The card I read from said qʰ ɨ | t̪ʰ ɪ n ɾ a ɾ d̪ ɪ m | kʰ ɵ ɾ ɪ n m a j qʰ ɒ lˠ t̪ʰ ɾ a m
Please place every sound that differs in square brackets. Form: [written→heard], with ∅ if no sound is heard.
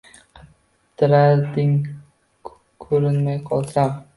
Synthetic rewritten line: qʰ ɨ | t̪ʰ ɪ [n→∅] ɾ a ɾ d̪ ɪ [m→ŋ] | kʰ ɵ ɾ ɪ n m a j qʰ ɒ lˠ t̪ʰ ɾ a m